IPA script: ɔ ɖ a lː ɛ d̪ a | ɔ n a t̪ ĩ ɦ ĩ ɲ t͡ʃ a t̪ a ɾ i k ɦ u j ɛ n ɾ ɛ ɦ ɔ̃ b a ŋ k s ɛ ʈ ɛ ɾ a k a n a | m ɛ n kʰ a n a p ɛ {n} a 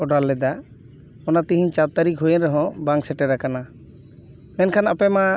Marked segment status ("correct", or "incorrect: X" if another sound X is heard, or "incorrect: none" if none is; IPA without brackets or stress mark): incorrect: m